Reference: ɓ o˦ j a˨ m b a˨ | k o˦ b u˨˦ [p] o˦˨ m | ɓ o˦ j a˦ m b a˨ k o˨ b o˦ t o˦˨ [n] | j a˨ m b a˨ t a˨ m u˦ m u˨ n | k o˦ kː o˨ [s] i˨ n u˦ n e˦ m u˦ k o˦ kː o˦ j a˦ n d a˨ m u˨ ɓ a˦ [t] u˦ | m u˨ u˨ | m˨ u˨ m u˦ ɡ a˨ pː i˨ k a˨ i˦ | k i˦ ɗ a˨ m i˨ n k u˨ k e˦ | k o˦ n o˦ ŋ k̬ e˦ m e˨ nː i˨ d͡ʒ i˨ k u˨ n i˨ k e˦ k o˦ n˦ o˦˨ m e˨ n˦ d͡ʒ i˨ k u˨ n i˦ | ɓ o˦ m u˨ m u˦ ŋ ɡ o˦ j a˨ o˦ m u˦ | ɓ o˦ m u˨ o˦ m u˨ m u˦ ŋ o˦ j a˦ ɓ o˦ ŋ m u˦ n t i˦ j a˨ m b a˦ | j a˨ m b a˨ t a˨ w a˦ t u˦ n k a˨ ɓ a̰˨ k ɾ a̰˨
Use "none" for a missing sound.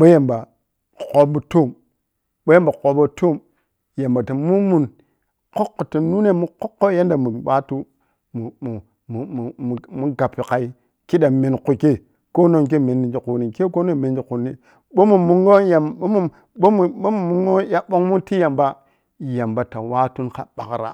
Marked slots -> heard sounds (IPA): t, m, t, t

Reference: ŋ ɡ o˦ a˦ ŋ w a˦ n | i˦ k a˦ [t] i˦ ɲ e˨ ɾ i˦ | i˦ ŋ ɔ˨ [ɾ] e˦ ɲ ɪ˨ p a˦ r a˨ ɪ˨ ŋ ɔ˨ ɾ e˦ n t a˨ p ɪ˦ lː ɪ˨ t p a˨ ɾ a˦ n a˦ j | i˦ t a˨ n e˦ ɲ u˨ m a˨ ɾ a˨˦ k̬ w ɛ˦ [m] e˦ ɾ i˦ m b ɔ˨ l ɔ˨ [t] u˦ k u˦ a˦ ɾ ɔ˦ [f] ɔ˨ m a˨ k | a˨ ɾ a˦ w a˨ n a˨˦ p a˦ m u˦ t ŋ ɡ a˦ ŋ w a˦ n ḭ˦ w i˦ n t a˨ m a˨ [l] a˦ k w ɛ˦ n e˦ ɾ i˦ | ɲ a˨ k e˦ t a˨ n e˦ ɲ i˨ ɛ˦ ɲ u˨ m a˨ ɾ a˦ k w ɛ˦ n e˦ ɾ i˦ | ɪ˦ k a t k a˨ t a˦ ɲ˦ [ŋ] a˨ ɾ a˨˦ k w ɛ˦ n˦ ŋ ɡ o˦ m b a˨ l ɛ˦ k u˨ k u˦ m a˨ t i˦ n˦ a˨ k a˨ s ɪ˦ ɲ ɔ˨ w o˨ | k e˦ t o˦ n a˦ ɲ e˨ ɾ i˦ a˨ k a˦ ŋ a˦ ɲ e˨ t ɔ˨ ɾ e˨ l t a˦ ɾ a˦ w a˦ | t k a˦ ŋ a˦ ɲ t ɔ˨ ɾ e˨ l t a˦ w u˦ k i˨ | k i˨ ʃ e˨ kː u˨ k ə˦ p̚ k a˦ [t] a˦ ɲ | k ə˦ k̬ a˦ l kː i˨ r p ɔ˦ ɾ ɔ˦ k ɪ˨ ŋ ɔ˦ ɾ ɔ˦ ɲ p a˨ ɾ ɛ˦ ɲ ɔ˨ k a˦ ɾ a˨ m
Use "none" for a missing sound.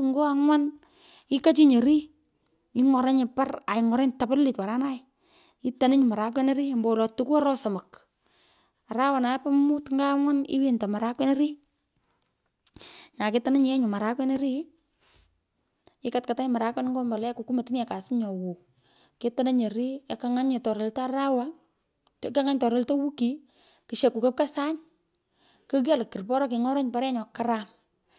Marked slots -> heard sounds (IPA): t͡ʃ, ɾ, n, t, s, ɾ, m, s

